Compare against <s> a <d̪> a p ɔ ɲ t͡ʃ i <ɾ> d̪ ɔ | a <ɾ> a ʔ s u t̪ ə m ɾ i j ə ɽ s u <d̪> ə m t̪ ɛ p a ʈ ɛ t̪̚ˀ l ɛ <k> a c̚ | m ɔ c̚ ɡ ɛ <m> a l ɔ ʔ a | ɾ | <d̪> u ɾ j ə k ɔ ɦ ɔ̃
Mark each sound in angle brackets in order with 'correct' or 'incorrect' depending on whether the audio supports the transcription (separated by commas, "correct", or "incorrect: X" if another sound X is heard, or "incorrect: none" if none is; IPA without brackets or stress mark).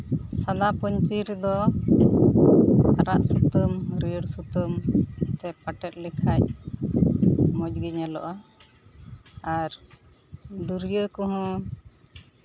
correct, correct, correct, correct, incorrect: t̪, incorrect: kʰ, incorrect: ɲ, correct